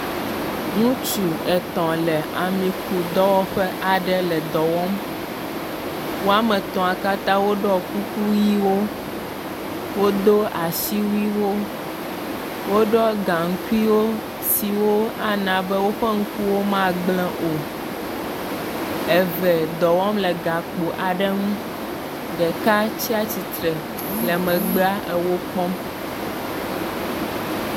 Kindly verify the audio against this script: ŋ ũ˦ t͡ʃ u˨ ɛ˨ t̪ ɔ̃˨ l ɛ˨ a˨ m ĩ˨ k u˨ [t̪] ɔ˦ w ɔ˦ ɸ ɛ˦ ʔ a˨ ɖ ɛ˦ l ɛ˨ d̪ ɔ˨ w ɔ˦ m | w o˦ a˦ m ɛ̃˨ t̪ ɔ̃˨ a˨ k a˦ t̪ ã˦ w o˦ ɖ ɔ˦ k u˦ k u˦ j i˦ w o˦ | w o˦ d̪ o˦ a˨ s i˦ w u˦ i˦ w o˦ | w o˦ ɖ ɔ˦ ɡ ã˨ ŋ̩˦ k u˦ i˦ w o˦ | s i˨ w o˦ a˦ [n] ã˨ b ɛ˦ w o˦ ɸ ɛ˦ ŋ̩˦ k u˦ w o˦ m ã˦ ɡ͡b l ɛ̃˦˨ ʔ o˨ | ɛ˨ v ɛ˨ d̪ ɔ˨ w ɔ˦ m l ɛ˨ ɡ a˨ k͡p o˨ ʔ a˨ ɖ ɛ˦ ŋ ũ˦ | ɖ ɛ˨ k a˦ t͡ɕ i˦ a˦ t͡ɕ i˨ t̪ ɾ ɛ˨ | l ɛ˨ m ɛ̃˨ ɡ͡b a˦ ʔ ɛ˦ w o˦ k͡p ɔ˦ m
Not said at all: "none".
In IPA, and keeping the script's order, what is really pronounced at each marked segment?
d̪, n

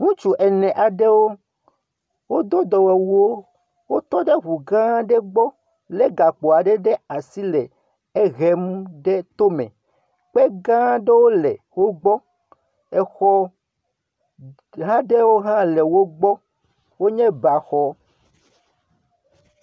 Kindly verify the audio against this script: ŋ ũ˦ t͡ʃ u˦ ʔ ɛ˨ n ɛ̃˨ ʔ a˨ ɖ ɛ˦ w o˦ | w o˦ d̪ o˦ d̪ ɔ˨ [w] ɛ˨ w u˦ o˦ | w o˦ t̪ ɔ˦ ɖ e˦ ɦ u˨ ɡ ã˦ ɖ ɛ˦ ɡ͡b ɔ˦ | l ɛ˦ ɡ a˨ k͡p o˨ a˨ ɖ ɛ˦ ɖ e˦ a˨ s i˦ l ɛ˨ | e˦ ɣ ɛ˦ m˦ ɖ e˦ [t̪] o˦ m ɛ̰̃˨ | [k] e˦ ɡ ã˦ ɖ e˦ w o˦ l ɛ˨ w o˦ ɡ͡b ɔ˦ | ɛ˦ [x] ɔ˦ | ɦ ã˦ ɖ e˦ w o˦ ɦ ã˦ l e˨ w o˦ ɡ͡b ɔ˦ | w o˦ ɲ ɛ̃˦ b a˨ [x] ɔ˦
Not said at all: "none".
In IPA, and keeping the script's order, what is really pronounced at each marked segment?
w, t̪, k͡p, x, x

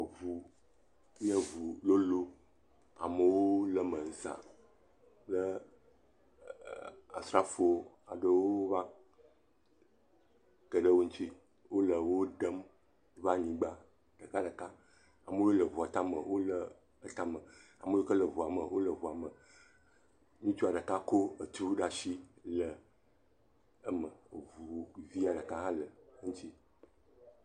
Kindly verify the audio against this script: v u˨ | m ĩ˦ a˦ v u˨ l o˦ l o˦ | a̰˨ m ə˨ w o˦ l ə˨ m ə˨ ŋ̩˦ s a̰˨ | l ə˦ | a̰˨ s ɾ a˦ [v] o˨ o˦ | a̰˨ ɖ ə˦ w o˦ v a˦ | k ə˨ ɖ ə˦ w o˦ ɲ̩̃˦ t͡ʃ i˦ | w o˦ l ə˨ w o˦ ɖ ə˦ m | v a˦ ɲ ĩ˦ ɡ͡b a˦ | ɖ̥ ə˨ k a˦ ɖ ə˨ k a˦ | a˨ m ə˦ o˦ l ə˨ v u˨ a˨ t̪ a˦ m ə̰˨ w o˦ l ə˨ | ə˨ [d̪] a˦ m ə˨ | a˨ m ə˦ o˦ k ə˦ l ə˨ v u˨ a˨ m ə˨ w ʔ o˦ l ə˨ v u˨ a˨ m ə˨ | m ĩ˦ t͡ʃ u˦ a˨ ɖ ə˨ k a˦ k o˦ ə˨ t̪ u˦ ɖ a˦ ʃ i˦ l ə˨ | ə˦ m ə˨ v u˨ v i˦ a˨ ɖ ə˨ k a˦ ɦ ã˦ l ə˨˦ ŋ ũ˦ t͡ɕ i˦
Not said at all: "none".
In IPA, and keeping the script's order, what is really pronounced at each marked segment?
f, t̪

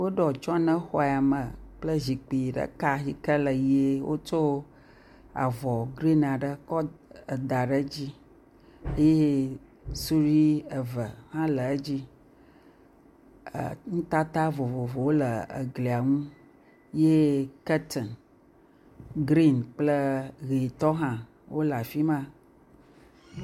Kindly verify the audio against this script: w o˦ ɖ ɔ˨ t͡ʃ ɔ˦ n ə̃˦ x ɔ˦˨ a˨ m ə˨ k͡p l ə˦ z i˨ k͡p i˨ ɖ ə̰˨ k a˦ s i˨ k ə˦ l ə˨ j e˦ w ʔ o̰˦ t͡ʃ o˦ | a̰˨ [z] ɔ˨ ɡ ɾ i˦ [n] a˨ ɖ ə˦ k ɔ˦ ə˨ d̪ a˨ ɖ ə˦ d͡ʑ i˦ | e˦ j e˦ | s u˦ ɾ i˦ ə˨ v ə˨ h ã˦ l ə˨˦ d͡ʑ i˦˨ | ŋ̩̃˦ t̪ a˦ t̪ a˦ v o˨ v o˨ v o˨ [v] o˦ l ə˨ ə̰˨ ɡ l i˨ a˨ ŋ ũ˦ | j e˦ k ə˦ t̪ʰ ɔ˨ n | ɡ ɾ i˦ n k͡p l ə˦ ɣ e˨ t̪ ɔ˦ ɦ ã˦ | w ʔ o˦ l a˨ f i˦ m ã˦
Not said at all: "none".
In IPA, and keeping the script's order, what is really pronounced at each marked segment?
v, n, w

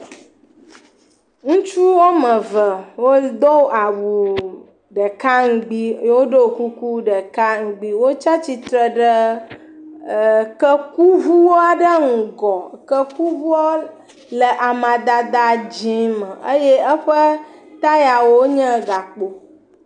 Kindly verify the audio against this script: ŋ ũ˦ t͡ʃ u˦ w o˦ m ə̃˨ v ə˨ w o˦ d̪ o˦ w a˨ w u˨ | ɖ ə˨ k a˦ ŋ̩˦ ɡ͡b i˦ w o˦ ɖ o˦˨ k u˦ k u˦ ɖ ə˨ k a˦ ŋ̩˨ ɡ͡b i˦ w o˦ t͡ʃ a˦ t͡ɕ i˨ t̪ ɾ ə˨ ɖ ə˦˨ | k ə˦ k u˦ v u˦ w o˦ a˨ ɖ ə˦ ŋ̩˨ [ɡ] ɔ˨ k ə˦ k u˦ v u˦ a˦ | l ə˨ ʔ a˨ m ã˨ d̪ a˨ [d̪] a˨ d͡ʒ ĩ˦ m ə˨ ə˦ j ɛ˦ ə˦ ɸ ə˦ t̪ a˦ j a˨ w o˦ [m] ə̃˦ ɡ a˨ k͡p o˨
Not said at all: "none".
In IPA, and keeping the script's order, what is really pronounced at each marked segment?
ɡ, d̪, ɲ

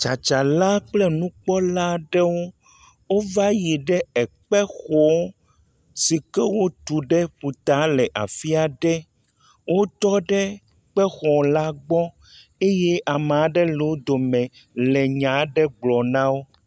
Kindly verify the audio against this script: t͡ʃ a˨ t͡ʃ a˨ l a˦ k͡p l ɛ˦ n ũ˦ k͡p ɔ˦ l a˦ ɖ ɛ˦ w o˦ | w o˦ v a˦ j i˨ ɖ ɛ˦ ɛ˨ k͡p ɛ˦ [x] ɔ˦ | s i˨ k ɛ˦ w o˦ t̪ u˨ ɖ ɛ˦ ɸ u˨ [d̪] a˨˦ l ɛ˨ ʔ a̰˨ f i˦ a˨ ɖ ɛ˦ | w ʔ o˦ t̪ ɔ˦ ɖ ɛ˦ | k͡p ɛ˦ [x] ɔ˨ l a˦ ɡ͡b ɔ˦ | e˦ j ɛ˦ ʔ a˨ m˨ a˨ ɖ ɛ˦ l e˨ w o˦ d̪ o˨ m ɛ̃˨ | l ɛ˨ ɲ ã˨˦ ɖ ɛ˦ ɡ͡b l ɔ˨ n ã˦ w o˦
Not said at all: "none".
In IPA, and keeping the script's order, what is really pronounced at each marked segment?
x, t̪, x

